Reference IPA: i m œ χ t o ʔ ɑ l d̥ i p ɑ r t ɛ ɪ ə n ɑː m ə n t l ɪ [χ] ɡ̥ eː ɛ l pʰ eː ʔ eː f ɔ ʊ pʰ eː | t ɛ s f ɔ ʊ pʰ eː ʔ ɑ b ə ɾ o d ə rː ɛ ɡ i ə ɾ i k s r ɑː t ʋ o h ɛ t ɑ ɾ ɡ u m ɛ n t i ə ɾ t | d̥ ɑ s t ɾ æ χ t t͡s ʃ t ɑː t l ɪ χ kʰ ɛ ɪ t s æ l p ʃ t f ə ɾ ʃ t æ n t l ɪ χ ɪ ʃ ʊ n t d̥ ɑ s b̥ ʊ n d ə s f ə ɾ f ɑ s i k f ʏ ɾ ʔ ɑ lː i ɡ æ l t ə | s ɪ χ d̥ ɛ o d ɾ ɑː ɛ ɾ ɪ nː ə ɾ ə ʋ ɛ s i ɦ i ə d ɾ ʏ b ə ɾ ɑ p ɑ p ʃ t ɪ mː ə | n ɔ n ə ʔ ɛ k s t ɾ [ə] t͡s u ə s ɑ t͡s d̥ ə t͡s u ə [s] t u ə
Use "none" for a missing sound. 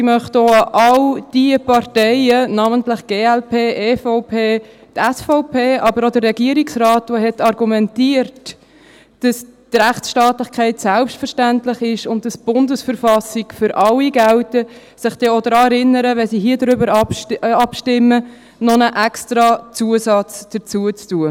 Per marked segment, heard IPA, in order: χ, ɑ, t͡s

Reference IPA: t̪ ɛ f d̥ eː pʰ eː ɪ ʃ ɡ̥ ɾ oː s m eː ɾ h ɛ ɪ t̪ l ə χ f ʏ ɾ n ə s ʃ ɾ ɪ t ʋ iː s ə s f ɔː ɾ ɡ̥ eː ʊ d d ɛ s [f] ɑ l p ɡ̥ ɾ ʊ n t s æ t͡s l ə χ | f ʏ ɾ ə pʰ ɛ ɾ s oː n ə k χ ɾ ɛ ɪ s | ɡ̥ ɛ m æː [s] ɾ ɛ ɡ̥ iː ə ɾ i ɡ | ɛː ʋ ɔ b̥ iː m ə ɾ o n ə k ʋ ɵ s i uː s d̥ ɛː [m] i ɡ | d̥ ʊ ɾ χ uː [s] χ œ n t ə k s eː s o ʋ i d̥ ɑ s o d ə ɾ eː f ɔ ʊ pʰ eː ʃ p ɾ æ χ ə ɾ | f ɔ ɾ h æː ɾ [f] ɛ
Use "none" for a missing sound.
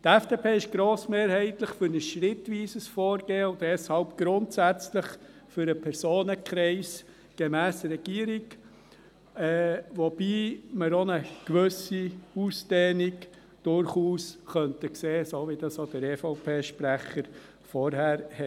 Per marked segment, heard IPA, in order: h, s, n, s, h

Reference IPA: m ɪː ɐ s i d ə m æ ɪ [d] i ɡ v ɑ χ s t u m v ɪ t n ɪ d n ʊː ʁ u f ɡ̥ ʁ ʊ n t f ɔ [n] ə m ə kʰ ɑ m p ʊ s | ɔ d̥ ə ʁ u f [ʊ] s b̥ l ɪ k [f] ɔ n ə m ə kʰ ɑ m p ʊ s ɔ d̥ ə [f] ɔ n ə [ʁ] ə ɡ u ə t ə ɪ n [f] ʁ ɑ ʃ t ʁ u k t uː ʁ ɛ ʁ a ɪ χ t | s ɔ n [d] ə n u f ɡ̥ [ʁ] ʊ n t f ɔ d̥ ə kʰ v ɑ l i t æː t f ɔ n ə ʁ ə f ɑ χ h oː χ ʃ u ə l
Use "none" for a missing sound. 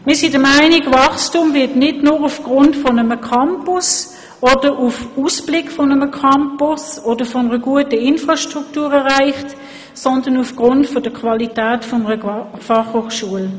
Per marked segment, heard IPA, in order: n, n, u, f, f, ʁ, f, d, ʁ

